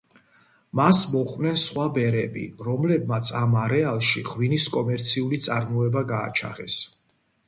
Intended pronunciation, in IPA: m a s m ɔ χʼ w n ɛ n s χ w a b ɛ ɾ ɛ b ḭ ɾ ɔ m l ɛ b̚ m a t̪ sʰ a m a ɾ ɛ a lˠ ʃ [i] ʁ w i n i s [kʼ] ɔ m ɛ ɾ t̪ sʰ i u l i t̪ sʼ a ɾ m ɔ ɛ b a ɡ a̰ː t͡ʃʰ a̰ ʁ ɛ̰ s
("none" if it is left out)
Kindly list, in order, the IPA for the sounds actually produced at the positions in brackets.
i, kʼ

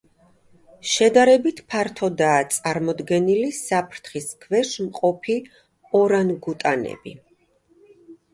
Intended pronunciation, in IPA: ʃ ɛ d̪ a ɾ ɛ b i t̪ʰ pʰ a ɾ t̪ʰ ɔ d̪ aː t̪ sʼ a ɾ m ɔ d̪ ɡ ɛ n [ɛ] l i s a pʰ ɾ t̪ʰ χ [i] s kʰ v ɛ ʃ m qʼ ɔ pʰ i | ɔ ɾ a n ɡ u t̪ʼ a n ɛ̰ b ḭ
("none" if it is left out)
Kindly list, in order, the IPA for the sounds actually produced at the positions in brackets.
i, i

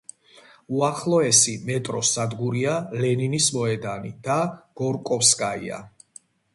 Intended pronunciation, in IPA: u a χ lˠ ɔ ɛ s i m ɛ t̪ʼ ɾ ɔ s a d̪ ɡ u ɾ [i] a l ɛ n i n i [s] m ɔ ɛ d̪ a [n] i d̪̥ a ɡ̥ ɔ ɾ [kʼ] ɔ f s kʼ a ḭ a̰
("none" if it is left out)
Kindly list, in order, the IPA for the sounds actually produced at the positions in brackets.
i, s, n, kʼ

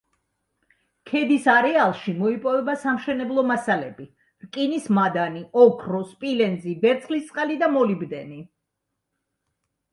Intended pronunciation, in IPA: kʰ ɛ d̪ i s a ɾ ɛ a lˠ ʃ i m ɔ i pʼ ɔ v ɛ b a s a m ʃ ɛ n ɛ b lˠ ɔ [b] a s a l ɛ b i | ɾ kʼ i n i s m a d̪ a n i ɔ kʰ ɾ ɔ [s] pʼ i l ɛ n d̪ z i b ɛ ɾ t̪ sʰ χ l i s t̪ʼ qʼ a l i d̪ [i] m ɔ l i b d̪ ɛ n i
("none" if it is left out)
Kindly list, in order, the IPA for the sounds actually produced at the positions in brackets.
m, s, a

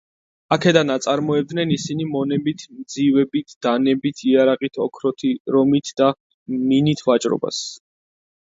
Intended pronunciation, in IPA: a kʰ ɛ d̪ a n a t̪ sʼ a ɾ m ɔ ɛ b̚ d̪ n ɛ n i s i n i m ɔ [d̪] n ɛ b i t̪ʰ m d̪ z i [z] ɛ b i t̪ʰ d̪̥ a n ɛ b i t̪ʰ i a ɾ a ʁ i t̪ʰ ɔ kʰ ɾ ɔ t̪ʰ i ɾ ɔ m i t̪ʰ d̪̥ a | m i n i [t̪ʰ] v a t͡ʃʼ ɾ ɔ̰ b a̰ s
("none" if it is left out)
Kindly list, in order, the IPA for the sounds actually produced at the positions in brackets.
none, v, t̪ʰ

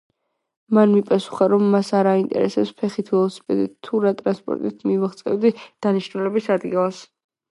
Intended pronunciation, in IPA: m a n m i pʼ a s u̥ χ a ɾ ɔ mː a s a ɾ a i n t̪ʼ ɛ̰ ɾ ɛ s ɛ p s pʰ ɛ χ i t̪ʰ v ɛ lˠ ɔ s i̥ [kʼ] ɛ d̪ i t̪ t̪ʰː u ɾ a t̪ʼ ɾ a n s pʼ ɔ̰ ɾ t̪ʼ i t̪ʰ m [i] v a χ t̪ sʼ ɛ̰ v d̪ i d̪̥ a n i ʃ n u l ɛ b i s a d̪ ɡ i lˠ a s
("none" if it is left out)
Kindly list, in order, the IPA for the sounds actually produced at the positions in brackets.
pʼ, i

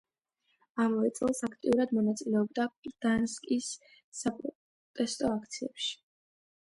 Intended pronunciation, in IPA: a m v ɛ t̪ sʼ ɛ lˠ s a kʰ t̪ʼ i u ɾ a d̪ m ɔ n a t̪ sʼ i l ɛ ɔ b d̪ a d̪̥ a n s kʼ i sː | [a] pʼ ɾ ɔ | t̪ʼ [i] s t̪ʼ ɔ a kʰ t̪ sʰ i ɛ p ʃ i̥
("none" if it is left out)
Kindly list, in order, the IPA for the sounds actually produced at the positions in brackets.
a, ɛ

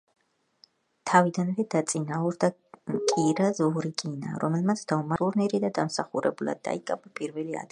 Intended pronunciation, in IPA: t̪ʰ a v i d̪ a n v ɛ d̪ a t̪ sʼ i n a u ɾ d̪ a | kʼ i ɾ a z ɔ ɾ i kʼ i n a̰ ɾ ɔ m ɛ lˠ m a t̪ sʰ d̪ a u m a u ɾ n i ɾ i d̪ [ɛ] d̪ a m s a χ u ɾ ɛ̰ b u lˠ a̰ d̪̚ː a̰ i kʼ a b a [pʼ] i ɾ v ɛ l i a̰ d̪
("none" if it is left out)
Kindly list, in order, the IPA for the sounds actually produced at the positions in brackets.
a, pʼ

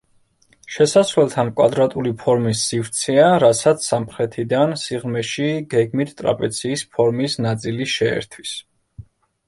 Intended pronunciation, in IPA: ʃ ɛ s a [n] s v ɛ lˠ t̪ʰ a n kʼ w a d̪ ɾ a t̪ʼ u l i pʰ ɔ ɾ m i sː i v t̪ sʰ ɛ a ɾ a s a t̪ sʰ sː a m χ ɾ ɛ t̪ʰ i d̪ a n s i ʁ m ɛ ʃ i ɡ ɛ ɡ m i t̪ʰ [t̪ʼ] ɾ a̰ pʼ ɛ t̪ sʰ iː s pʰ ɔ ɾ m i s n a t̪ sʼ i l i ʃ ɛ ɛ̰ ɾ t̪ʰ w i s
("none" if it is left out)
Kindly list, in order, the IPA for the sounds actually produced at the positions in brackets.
none, t̪ʼ

